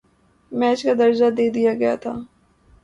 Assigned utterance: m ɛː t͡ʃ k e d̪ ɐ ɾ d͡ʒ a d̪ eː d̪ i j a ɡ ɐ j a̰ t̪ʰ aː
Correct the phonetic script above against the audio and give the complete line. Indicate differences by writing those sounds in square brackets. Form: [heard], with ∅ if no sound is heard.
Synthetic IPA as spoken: m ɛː t͡ʃ k [a] d̪ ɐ ɾ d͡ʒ a d̪ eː d̪ i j a ɡ ɐ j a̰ t̪ʰ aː